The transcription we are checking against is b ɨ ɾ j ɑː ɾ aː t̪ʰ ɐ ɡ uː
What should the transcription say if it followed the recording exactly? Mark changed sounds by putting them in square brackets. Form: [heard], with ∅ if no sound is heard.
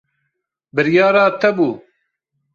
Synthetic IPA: b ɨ ɾ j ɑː ɾ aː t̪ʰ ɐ [b] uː